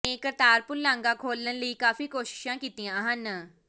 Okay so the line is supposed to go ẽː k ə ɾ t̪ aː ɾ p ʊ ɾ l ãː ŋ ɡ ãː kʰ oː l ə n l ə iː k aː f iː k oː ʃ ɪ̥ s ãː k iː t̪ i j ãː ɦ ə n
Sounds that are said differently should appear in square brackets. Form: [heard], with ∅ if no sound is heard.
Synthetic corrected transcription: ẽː k ə ɾ t̪ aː ɾ p ʊ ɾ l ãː ŋ ɡ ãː kʰ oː l ə n l ə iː k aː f iː k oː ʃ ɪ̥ [ʃ] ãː k iː t̪ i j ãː ɦ ə n